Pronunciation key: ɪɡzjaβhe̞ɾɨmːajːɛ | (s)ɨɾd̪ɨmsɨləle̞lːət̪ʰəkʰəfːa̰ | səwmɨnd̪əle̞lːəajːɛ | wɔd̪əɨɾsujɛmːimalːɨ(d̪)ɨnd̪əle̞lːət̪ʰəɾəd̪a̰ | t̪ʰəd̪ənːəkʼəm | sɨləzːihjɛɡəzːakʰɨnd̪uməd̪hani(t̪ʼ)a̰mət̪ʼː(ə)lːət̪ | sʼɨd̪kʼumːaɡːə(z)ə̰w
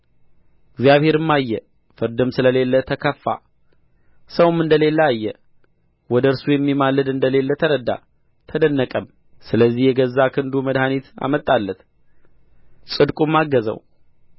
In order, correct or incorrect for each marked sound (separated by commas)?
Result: incorrect, correct, incorrect, incorrect, correct